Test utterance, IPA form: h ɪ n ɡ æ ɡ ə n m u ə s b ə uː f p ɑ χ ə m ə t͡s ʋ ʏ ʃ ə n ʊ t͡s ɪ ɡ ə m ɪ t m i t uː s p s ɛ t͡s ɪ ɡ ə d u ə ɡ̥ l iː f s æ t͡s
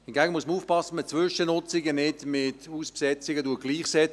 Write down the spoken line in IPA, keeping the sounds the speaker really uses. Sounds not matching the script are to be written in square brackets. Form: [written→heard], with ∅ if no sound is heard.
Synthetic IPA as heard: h ɪ n ɡ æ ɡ ə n m u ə s [b→m] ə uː f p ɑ [χ→s] ə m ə t͡s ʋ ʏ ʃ ə n ʊ t͡s ɪ ɡ ə [m→n] ɪ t m [i→ɪ] t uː s p s ɛ t͡s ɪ ɡ ə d u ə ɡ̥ l iː [f→χ] s [æ→ɛ] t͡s